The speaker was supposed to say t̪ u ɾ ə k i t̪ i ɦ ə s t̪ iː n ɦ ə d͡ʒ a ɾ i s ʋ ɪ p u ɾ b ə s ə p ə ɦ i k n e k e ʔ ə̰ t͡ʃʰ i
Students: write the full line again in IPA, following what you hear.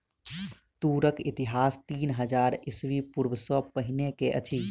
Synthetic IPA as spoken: t̪ u ɾ ə k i t̪ i ɦ a s t̪ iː n ɦ ə d͡ʒ a ɾ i s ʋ i p u ɾ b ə s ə p ə ɦ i n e k e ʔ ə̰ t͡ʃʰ i